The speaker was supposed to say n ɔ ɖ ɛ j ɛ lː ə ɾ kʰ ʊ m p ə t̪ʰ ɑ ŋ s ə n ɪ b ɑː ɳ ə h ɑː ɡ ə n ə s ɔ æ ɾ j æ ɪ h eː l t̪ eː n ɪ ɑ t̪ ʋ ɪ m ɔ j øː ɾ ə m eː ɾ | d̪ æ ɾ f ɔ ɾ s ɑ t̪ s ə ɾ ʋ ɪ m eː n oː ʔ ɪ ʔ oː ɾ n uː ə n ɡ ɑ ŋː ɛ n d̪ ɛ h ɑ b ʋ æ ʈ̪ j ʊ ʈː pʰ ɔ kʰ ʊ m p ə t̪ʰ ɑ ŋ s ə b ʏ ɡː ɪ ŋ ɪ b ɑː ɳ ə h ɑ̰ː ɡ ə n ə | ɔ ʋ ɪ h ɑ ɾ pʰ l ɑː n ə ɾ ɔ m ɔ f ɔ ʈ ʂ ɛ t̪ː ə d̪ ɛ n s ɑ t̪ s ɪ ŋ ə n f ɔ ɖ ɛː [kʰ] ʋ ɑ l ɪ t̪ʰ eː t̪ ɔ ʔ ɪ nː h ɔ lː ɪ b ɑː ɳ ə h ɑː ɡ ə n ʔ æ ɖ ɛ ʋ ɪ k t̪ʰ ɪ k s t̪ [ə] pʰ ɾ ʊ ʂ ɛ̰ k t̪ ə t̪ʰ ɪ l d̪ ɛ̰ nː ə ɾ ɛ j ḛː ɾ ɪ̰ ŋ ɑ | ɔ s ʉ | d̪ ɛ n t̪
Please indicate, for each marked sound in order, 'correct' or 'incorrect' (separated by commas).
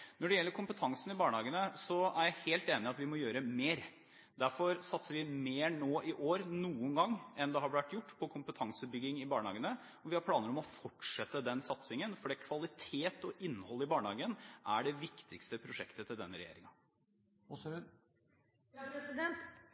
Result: correct, correct